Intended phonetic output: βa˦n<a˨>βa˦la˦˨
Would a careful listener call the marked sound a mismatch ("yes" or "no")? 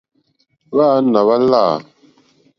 no